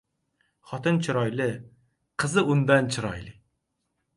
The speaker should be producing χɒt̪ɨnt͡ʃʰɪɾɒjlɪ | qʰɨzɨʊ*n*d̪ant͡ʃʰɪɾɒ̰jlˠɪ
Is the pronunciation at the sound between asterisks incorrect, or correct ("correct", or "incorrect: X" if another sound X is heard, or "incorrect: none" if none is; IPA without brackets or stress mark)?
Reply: correct